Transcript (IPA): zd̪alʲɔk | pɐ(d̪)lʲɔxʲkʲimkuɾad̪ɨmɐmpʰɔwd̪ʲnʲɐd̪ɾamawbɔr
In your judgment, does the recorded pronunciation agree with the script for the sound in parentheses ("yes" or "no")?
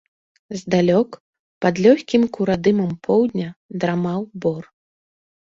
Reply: yes